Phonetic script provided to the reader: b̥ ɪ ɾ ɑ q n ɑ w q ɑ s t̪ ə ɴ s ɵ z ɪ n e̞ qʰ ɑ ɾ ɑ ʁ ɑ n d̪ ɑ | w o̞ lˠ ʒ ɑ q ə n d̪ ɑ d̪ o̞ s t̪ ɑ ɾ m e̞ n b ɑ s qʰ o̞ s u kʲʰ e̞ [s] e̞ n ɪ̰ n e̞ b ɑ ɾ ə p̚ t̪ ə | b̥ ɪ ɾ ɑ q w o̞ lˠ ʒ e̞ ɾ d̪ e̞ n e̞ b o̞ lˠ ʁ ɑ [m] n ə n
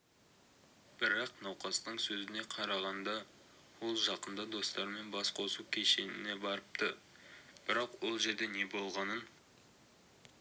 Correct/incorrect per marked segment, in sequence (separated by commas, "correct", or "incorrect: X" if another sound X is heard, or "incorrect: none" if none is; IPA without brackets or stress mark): incorrect: ʃ, incorrect: none